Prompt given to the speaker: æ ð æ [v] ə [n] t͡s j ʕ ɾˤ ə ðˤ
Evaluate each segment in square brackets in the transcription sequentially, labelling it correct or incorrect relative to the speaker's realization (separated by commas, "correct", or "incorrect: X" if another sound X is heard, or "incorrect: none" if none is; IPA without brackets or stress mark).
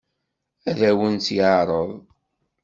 incorrect: w, correct